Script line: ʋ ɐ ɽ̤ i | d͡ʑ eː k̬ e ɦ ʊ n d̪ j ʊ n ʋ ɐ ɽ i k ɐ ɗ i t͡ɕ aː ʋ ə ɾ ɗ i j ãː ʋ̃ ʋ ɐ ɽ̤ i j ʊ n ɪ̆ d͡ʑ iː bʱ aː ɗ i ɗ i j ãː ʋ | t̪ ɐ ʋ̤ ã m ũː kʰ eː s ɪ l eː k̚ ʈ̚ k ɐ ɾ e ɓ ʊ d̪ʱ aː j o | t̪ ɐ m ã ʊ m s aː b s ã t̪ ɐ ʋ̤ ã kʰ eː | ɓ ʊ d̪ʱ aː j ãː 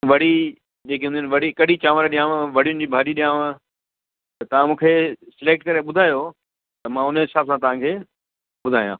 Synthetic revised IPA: ʋ ɐ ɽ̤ i | d͡ʑ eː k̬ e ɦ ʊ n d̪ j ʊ n ʋ ɐ ɽ i k ɐ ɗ i t͡ɕ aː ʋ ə ɾ ɗ i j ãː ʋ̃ ʋ ɐ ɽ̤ i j ʊ n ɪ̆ d͡ʑ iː bʱ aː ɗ i ɗ i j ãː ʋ | t̪ ɐ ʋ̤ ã m ũː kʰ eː s ɪ l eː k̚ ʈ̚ k ɐ ɾ e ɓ ʊ d̪ʱ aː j o | t̪ ɐ m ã ʊ n s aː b s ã t̪ ɐ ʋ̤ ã kʰ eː | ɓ ʊ d̪ʱ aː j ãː